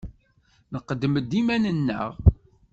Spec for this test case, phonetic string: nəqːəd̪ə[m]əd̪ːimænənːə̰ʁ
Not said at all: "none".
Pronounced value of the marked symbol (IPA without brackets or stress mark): m